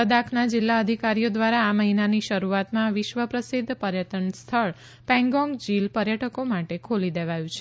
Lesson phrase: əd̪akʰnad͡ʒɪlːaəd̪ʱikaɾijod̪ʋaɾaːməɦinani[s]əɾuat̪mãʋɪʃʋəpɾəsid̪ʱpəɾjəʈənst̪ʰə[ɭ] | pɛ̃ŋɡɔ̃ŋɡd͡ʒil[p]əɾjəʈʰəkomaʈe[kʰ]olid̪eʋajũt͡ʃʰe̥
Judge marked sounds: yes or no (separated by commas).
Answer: no, yes, yes, yes